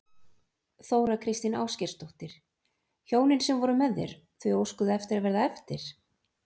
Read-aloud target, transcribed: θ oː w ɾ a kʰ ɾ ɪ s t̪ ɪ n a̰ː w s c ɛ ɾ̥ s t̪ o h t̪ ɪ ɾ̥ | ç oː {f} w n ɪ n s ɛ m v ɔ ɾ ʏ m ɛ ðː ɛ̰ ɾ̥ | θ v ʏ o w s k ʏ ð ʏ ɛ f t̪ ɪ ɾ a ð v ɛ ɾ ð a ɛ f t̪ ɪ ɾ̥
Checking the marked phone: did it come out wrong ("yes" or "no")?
yes